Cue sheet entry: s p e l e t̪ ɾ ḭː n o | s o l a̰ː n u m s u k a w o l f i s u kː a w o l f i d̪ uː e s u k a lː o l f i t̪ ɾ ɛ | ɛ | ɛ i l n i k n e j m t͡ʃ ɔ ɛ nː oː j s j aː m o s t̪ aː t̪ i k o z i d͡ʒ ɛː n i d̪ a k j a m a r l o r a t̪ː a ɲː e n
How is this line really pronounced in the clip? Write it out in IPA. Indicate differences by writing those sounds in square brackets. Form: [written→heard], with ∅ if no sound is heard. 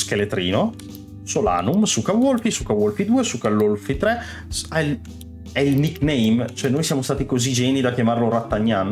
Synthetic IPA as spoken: s [p→k] e l e t̪ ɾ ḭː n o | s o l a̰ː n u m s u k a w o l f i s u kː a w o l f i d̪ uː e s u k a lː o l f i t̪ ɾ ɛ | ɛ | ɛ i l n i k n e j m t͡ʃ [ɔ→o] ɛ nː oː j s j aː m o s t̪ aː t̪ i k o z i d͡ʒ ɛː n i d̪ a k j a m a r l o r a t̪ː a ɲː [e→a] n

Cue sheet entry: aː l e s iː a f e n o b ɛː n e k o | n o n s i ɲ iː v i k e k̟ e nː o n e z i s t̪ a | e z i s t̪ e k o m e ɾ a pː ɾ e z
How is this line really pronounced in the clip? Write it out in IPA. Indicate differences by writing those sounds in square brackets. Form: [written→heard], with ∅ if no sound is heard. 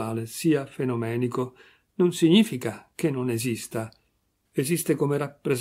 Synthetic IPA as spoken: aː l e s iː a f e n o [b→m] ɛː n [e→i] k o | n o n s i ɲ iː [v→f] i k [e→a] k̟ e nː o n e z i s t̪ a | e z i s t̪ e k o m e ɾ a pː ɾ e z

